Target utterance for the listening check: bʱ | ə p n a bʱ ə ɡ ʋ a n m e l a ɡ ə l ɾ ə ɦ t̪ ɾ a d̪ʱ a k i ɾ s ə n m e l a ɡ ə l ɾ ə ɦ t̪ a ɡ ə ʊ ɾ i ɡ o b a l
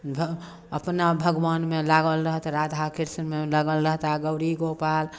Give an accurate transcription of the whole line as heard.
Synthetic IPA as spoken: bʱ | ə p n a bʱ ə ɡ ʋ a n m e l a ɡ ə l ɾ ə ɦ t̪ ɾ a d̪ʱ a k i ɾ s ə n m e l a ɡ ə l ɾ ə ɦ t̪ a ɡ ə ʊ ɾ i ɡ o p a l